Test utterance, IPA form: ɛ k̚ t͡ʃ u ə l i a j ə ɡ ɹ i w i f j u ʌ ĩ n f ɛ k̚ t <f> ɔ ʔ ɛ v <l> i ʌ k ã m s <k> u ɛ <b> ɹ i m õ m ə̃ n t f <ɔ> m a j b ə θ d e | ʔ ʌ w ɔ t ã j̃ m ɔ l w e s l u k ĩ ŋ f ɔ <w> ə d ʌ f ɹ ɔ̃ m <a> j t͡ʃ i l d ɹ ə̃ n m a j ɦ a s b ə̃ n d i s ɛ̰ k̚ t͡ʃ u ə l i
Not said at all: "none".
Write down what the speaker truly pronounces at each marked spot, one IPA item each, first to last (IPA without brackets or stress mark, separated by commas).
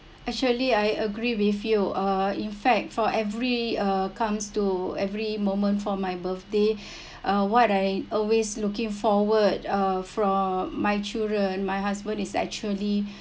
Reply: f, ɹ, t, v, ɔ, w, a